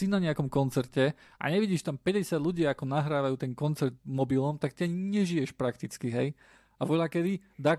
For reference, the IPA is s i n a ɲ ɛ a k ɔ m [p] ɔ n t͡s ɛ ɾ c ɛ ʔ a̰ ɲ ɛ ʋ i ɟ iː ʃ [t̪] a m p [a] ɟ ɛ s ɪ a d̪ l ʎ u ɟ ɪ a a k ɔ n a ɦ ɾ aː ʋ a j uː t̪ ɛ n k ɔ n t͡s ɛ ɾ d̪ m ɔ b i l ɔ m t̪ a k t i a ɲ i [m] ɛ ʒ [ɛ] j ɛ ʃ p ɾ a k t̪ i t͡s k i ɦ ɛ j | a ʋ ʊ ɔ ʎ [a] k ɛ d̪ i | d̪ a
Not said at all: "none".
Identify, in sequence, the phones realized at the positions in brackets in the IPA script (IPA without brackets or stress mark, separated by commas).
k, t̪, ɛ, ɲ, i, a